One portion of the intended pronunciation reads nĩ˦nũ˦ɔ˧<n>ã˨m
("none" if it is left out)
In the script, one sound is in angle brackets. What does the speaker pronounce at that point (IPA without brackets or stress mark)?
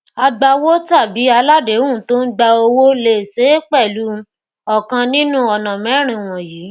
n